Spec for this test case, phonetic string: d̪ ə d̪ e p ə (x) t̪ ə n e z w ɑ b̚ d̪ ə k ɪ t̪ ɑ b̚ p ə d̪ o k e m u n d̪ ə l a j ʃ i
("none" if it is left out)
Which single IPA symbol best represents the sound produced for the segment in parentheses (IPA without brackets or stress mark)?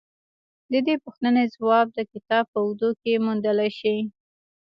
x